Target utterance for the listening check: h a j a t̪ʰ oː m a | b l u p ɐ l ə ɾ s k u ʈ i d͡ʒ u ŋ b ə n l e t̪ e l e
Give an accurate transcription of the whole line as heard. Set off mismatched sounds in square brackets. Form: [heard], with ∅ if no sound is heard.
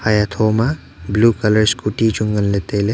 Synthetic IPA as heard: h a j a t̪ʰ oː m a | b l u [k] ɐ l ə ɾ s k u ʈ i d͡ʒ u ŋ [ɡ] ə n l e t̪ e l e